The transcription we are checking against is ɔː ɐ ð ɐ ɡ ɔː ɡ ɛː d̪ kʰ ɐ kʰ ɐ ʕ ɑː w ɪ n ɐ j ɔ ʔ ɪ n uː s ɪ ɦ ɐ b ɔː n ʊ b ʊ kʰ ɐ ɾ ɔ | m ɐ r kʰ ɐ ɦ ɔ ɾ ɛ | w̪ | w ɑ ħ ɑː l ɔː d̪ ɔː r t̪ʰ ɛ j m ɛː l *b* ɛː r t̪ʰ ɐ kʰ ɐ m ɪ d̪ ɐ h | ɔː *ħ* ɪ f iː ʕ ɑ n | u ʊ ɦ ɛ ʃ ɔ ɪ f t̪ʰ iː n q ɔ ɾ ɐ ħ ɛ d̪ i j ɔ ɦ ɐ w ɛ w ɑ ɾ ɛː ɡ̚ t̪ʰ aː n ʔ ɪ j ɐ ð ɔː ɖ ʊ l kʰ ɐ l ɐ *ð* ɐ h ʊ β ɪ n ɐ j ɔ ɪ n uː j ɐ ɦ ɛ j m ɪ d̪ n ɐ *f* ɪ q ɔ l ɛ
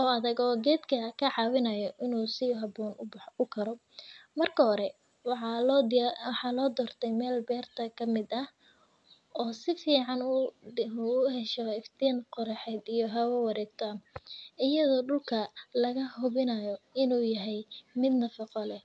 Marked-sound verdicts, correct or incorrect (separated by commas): correct, incorrect, incorrect, correct